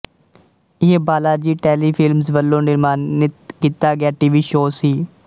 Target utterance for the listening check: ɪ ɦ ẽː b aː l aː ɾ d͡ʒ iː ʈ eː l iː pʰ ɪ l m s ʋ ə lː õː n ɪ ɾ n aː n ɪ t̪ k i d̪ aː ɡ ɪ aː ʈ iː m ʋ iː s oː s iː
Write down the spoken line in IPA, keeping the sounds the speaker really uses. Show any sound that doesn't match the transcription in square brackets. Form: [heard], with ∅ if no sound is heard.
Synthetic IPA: ɪ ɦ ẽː b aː l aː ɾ d͡ʒ iː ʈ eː l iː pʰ ɪ l m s ʋ ə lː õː n ɪ ɾ [m] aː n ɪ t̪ k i [t̪] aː ɡ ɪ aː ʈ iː [∅] ʋ iː [ʃ] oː s iː